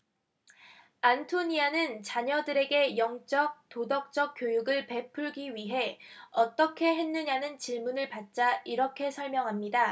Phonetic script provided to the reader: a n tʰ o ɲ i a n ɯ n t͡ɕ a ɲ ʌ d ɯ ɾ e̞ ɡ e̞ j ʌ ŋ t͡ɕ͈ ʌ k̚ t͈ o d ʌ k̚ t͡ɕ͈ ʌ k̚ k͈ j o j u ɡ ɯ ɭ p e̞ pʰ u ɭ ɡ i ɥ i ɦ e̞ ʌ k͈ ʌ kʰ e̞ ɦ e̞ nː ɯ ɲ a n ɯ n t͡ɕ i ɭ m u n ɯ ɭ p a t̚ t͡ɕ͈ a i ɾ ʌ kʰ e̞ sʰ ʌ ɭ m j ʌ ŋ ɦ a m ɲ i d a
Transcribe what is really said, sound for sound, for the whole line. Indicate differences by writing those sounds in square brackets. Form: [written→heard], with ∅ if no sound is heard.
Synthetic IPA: a n tʰ o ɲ i a n ɯ n t͡ɕ a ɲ ʌ d ɯ ɾ e̞ ɡ e̞ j ʌ ŋ t͡ɕ͈ ʌ k̚ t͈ o d ʌ k̚ t͡ɕ͈ ʌ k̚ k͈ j o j u ɡ ɯ ɭ p e̞ pʰ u ɭ ɡ i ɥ i ɦ e̞ ʌ [k͈→t͈] ʌ kʰ e̞ ɦ e̞ nː ɯ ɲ a n ɯ n t͡ɕ i ɭ m u n ɯ ɭ p a t̚ t͡ɕ͈ a i ɾ ʌ kʰ e̞ sʰ ʌ ɭ m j ʌ ŋ ɦ a m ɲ i d a